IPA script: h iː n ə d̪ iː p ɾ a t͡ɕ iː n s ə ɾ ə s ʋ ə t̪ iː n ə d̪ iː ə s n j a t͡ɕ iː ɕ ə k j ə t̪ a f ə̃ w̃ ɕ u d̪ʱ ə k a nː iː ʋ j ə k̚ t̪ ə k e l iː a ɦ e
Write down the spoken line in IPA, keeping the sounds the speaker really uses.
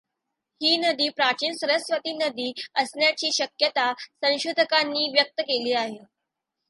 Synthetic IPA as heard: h iː n ə d̪ iː p ɾ a t͡ɕ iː n s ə ɾ ə s ʋ ə t̪ iː n ə d̪ iː ə s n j a t͡ɕ iː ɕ ə k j ə t̪ a s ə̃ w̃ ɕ u d̪ʱ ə k a nː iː ʋ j ə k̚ t̪ ə k e l iː a ɦ e